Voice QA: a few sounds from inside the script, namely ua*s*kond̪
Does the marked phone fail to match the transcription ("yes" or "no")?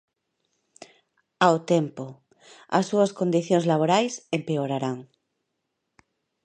no